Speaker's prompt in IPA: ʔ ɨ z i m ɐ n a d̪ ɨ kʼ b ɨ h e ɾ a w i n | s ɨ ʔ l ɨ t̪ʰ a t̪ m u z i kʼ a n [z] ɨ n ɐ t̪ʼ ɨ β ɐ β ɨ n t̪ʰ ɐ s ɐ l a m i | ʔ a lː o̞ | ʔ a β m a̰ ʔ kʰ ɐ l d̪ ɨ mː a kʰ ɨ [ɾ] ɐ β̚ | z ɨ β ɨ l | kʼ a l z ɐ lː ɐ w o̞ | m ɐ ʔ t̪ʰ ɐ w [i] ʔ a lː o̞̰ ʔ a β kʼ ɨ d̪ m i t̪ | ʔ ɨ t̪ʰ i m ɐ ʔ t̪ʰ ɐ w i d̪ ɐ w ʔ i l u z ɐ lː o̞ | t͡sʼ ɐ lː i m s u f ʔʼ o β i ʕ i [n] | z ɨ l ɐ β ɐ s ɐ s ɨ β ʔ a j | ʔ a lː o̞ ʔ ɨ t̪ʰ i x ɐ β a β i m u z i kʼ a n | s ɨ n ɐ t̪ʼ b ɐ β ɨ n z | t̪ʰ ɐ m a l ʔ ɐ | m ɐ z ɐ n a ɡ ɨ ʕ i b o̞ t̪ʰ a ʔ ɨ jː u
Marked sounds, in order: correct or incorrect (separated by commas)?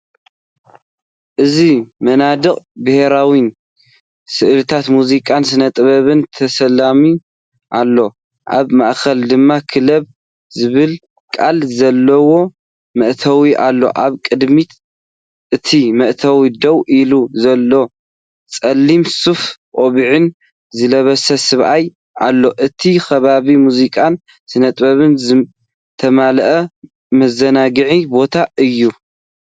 incorrect, incorrect, correct, correct